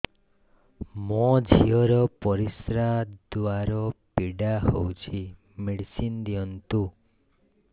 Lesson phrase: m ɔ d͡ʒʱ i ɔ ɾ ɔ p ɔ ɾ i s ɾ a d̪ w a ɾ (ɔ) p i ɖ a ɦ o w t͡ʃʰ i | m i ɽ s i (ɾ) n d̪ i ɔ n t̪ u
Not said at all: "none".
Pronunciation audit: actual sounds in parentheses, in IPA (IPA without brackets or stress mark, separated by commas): ɔ, none